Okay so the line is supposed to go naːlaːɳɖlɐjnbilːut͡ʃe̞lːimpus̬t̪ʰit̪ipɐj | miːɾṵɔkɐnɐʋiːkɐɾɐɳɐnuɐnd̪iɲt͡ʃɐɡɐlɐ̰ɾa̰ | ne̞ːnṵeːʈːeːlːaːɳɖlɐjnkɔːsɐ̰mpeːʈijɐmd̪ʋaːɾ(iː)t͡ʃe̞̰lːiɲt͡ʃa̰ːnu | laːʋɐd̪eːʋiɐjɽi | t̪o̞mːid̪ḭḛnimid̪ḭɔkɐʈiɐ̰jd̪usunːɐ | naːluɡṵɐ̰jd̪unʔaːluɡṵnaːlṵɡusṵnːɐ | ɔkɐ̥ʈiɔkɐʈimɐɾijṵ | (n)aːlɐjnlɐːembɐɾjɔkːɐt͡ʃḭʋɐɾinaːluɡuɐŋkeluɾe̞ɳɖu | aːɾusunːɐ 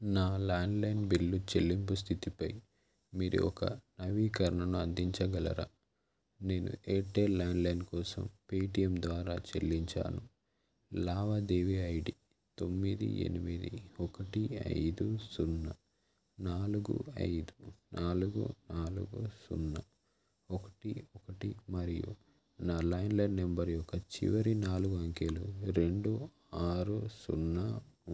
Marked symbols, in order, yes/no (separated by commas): no, yes